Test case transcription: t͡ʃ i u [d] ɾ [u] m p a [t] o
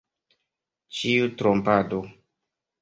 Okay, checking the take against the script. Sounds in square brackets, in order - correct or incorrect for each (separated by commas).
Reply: incorrect, incorrect, incorrect